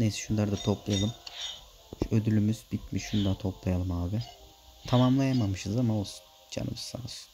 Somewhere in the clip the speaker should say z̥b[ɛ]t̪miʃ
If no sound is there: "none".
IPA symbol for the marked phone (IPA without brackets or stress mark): i